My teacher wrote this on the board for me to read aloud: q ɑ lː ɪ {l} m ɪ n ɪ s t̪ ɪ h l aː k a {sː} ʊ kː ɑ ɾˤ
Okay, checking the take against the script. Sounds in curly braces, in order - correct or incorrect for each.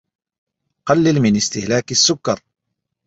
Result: correct, correct

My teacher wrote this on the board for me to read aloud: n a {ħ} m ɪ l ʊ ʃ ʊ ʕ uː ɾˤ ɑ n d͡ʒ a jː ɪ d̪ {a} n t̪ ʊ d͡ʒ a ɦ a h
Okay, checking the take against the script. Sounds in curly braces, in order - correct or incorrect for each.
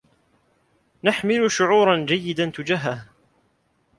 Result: correct, correct

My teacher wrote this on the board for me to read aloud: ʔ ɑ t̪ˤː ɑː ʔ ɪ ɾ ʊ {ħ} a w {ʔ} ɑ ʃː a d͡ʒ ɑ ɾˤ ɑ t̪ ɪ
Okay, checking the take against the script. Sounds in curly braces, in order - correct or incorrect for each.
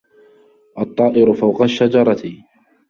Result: incorrect: f, incorrect: q

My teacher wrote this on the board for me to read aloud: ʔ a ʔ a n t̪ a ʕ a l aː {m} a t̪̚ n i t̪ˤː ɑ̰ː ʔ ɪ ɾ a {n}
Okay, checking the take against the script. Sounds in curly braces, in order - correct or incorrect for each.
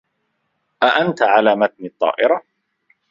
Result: correct, incorrect: none

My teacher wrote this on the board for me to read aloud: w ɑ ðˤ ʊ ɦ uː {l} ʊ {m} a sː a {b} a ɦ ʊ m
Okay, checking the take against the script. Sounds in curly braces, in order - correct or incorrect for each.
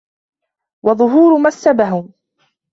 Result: incorrect: ɾ, correct, correct

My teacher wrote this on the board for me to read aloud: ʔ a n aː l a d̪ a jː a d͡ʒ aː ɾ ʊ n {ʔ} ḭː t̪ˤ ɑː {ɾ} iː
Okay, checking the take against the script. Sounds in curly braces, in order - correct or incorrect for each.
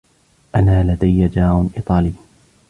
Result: correct, incorrect: l

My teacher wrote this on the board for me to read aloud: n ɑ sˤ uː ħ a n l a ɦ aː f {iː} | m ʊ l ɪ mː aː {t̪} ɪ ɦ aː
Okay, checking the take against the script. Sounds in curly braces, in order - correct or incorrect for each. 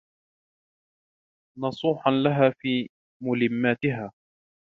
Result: correct, correct

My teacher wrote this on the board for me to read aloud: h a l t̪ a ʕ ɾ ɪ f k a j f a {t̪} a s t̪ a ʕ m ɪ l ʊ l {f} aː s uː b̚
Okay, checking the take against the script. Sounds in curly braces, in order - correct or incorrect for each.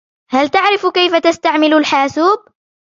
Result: correct, incorrect: ħ

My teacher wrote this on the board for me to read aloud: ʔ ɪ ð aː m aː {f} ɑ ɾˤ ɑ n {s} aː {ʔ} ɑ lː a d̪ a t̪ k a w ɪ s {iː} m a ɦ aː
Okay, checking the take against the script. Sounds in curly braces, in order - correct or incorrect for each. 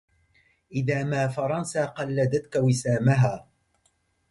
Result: correct, correct, incorrect: q, incorrect: aː

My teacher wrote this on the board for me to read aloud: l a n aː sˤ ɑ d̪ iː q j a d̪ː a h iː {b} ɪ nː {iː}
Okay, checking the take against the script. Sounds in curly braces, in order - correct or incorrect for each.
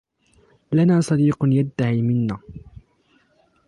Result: incorrect: m, incorrect: aː

